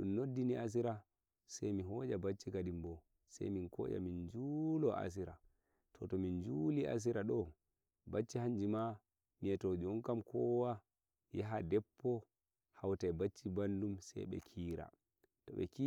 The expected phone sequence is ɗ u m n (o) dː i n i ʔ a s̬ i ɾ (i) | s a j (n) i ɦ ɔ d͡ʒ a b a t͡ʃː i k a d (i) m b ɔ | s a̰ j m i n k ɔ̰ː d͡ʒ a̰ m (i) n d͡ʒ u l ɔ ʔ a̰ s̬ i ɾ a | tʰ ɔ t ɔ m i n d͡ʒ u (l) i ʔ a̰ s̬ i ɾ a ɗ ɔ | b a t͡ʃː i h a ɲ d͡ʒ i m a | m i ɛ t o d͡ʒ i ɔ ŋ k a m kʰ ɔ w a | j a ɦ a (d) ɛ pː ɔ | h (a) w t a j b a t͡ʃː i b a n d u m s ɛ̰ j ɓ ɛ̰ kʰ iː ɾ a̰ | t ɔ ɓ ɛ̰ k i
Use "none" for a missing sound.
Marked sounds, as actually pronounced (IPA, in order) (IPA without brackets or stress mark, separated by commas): o, a, m, i, i, l, d, a